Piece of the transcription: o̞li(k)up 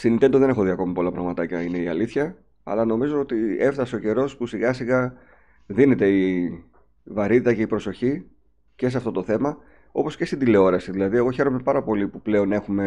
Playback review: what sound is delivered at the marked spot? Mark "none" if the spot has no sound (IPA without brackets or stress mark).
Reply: p